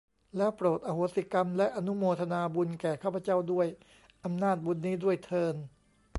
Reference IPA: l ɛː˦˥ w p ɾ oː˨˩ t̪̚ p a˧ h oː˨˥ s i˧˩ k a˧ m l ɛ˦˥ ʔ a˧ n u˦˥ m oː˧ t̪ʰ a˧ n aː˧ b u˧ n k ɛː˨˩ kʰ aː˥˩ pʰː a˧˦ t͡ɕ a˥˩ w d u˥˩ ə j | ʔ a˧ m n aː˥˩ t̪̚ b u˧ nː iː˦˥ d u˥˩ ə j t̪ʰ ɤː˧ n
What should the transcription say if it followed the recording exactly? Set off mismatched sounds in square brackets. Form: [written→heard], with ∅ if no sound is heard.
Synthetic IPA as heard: l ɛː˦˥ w p ɾ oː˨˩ t̪̚ [p→ʔ] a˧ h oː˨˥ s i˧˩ k a˧ m l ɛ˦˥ ʔ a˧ n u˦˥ m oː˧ t̪ʰ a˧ n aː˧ b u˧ n k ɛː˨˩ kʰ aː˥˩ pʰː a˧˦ t͡ɕ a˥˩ w d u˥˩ ə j | ʔ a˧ m n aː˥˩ t̪̚ b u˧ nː iː˦˥ d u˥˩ ə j t̪ʰ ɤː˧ n